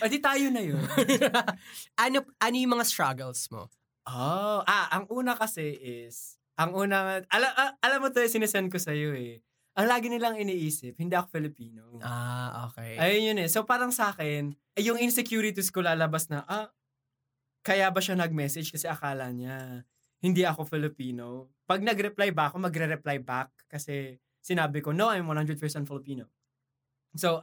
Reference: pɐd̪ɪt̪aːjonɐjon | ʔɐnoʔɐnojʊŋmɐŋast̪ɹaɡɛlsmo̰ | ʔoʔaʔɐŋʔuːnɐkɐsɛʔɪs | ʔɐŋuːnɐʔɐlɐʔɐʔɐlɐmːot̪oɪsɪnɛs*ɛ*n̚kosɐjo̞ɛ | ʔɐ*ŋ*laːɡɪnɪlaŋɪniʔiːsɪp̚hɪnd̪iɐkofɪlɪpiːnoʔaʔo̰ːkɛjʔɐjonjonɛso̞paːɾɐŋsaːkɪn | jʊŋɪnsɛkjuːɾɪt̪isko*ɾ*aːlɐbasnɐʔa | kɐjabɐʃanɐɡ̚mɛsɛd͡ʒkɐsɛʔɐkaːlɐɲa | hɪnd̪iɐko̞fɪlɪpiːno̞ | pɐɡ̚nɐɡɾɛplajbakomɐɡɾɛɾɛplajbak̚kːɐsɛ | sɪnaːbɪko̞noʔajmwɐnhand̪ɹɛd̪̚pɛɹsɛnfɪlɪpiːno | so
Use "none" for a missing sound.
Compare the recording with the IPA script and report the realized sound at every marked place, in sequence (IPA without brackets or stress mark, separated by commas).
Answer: ɛ, ŋ, l